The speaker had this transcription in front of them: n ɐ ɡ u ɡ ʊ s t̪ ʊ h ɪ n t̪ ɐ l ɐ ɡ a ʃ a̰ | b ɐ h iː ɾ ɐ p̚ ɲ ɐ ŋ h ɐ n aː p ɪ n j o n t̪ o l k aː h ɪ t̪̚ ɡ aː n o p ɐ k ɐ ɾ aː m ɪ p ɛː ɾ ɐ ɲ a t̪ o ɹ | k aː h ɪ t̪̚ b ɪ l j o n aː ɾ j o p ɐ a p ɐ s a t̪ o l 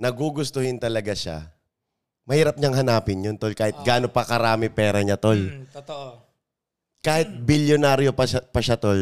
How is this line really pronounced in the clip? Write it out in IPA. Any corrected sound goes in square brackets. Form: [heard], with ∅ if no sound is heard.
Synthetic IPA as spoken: n ɐ ɡ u ɡ ʊ s t̪ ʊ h ɪ n t̪ ɐ l ɐ ɡ a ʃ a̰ | [m] ɐ h iː ɾ ɐ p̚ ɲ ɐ ŋ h ɐ n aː p ɪ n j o n t̪ o l k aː h ɪ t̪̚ ɡ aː n o p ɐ k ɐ ɾ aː m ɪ p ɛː ɾ ɐ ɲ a t̪ o [l] | k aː h ɪ t̪̚ b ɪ l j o n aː ɾ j o p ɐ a p ɐ [ʃ] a t̪ o l